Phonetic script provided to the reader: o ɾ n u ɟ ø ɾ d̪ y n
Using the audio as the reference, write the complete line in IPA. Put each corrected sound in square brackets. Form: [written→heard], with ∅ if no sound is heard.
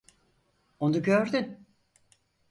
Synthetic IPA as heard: o [ɾ→∅] n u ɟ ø ɾ d̪ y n